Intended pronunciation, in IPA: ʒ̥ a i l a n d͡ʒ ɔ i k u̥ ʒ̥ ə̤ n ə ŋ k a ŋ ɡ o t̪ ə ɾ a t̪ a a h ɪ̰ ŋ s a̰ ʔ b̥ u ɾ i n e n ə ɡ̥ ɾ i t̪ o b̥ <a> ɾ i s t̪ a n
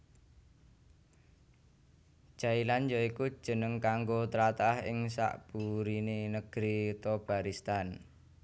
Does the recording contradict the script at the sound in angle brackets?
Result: no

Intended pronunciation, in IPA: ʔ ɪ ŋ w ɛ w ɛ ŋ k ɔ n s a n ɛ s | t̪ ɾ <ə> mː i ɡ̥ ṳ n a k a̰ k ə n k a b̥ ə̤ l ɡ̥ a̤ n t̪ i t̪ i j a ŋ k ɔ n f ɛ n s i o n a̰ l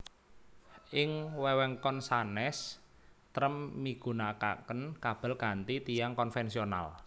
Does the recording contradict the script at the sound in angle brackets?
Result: no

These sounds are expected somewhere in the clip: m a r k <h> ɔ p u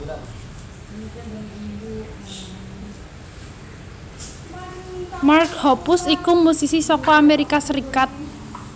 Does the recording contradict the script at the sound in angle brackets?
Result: no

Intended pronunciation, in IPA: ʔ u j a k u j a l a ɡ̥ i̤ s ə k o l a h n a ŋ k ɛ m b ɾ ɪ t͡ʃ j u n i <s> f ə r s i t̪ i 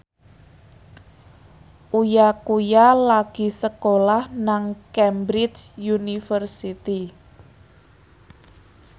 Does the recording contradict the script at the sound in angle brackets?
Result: yes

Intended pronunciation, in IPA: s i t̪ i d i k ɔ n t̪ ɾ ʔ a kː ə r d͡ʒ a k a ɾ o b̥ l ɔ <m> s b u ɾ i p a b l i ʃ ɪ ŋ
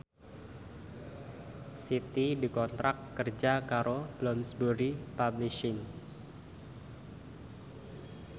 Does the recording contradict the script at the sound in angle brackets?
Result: no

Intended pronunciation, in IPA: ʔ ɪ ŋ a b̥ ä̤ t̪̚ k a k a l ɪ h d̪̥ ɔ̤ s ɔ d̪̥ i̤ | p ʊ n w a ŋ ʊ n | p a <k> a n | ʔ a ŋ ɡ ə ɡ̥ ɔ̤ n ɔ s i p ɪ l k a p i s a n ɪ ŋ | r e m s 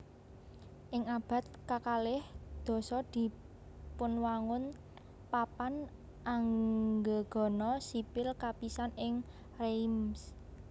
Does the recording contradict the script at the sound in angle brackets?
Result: yes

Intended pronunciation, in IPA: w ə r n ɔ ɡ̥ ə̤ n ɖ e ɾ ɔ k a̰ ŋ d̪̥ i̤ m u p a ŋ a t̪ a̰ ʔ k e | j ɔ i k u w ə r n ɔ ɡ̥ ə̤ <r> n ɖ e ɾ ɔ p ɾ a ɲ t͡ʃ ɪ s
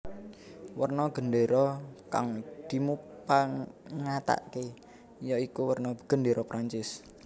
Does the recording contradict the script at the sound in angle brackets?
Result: yes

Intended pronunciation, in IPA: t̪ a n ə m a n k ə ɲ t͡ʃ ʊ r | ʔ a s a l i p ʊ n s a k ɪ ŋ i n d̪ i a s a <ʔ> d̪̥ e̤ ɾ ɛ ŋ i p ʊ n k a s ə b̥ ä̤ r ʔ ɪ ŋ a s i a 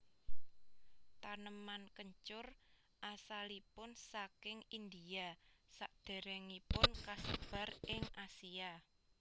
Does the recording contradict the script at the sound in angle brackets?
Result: no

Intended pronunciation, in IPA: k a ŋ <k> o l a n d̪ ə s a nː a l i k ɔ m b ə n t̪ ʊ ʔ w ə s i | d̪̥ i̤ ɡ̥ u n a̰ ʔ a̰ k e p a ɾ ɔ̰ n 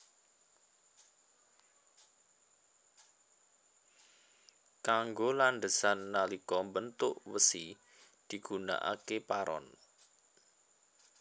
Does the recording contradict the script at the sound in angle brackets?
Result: yes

